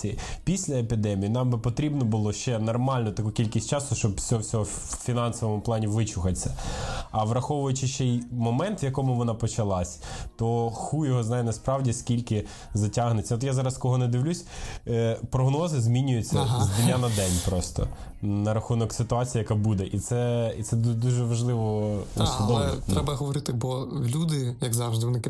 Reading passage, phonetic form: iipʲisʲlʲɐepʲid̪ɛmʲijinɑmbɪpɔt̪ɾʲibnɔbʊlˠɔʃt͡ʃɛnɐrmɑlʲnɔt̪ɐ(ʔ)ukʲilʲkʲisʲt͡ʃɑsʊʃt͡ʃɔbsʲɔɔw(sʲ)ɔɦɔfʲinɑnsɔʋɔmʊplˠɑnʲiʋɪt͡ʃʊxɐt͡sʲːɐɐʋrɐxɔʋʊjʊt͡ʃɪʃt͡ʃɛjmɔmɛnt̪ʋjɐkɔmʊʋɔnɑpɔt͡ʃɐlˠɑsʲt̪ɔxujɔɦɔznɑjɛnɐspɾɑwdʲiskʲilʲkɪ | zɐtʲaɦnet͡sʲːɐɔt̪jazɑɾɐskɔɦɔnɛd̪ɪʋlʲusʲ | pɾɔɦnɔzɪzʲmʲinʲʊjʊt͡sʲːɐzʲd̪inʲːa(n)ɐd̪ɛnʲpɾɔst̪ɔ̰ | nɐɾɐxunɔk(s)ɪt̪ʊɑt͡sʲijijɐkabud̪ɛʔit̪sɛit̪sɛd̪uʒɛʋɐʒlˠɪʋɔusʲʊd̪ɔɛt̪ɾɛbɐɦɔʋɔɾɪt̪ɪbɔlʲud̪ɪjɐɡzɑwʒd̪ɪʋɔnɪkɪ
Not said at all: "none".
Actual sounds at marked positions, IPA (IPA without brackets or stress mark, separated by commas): k, sʲ, n, s